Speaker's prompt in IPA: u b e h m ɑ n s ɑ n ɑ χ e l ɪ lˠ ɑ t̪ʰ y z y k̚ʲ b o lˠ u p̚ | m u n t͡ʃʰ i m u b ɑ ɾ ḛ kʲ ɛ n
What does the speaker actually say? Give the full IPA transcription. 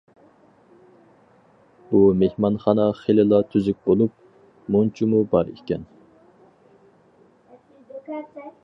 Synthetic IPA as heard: u m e h m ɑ n χ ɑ n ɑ χ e l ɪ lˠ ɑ t̪ʰ y z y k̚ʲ b o lˠ u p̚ | m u n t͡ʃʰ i m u b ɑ ɾ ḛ kʲ ɛ n

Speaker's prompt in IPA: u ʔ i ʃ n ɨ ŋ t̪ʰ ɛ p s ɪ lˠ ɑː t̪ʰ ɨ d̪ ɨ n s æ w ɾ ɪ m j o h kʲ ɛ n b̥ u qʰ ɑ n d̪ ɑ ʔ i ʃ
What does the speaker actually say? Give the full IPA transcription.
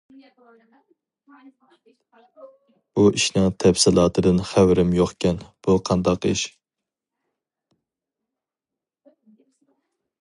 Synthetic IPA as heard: u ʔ i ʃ n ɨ ŋ t̪ʰ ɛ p s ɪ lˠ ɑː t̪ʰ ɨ d̪ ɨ n χ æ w ɾ ɪ m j o χ kʲ ɛ n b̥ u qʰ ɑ n d̪ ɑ q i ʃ

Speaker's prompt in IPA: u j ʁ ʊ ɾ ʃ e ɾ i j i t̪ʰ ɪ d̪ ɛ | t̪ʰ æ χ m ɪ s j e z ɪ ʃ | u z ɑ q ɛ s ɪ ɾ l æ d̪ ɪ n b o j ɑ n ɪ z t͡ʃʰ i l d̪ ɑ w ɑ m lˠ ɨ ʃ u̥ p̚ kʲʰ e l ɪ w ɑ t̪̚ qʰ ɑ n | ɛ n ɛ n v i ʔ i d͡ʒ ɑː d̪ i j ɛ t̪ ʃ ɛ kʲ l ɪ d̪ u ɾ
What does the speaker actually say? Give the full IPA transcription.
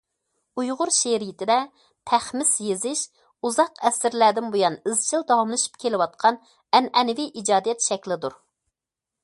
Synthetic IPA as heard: u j ʁ ʊ ɾ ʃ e ɾ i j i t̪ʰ ɪ d̪ ɛ | t̪ʰ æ χ m ɪ s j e z ɪ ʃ | u z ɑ q ɛ s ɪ ɾ l æ d̪ ɪ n b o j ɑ n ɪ z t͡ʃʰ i l d̪ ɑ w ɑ m lˠ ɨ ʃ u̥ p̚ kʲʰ e l ɪ w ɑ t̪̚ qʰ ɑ n | ɛ n ɛ n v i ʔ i d͡ʒ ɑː d̪ i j ɛ t̪ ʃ ɛ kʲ l ɪ d̪ u ɾ

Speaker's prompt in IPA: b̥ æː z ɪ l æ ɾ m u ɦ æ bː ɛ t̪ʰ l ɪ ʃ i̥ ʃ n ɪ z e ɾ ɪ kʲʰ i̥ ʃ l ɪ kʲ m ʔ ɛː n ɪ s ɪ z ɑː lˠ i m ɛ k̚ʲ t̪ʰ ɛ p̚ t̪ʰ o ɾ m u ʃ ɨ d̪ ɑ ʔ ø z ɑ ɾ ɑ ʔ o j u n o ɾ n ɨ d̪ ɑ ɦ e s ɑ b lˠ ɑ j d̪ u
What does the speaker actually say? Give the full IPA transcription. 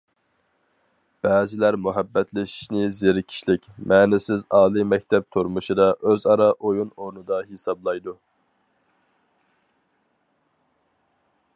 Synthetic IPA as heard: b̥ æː z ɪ l æ ɾ m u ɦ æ bː ɛ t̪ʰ l ɪ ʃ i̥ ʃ n ɪ z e ɾ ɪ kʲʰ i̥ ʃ l ɪ kʲ m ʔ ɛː n ɪ s ɪ z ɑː lˠ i m ɛ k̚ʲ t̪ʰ ɛ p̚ t̪ʰ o ɾ m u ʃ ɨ d̪ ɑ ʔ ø z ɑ ɾ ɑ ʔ o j u n o ɾ n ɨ d̪ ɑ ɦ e s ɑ b lˠ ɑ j d̪ u

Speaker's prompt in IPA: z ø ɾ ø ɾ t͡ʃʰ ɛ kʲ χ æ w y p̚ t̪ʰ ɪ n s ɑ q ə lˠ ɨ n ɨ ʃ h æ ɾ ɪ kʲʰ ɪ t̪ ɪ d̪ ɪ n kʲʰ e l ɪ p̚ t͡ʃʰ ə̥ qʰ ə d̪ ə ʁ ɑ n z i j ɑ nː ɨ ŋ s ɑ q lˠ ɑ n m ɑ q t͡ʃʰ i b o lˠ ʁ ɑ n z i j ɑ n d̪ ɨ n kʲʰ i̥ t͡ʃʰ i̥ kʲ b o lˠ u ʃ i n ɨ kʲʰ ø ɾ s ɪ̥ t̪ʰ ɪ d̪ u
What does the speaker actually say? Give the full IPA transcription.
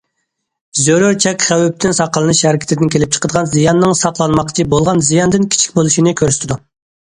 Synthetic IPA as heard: z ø ɾ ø ɾ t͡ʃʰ ɛ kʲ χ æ w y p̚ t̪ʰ ɪ n s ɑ q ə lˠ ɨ n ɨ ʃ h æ ɾ ɪ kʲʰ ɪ t̪ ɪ d̪ ɪ n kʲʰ e l ɪ p̚ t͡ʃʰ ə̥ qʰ ə d̪ ə ʁ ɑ n z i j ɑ nː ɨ ŋ s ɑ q lˠ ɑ n m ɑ q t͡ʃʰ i b o lˠ ʁ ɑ n z i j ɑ n d̪ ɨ n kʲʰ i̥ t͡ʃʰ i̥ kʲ b o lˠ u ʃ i n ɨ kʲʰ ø ɾ s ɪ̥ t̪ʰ ɪ d̪ u

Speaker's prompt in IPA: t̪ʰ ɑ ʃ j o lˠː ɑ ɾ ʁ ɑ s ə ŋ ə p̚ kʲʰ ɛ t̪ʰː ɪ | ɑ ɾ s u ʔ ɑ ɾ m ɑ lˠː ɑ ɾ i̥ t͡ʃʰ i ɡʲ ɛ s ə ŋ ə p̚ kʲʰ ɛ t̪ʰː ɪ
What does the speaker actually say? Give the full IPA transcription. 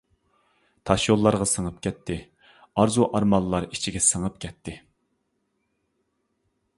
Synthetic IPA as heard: t̪ʰ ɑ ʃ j o lˠː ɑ ɾ ʁ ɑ s ə ŋ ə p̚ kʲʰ ɛ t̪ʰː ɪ | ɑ ɾ z u ʔ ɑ ɾ m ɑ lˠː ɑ ɾ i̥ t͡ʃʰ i ɡʲ ɛ s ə ŋ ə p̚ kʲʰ ɛ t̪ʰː ɪ

